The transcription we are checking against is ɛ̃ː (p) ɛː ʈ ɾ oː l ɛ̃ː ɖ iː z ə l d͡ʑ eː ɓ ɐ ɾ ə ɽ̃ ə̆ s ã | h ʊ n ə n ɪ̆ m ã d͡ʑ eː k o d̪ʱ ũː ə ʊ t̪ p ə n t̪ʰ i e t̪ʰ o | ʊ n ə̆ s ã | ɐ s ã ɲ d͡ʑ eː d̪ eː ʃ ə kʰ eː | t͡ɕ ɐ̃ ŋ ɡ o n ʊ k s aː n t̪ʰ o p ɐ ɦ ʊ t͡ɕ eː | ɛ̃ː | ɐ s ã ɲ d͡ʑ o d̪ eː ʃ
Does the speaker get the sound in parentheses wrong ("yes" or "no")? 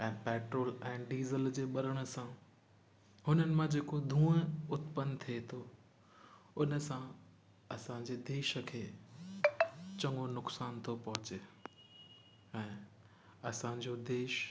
no